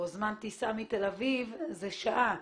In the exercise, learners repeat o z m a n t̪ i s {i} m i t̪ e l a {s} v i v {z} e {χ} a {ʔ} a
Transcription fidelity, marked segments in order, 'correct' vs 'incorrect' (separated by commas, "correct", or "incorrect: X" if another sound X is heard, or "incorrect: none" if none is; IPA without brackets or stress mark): incorrect: a, incorrect: none, correct, incorrect: ʃ, correct